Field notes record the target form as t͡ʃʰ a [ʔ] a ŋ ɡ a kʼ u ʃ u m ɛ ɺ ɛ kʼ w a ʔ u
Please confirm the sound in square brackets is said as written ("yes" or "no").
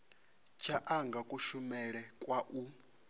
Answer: yes